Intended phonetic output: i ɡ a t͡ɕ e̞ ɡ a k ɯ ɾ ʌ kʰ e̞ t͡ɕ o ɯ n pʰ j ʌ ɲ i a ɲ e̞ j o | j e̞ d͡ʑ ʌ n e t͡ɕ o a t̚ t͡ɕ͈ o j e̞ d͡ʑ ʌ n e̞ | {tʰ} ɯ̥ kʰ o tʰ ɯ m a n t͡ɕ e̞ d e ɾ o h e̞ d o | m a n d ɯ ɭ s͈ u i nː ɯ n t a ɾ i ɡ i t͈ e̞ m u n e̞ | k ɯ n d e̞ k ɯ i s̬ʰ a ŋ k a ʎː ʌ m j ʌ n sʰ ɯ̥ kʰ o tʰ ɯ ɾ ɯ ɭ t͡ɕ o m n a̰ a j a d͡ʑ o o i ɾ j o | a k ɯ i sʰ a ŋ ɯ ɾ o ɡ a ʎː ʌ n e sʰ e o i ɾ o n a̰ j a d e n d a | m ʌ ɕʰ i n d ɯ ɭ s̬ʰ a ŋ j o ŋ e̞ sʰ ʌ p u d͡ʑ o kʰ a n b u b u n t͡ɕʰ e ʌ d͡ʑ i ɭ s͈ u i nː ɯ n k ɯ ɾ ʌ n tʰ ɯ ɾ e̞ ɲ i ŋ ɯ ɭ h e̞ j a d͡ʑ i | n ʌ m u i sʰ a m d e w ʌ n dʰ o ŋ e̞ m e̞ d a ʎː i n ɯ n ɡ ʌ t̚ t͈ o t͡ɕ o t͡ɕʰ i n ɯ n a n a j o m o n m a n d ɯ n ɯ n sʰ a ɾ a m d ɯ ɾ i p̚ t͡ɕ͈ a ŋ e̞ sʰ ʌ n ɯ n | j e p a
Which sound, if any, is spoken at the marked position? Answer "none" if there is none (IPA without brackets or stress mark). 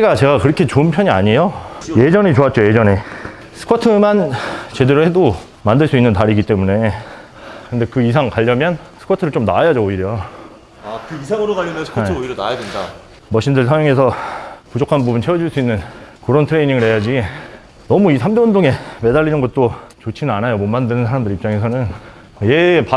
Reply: sʰ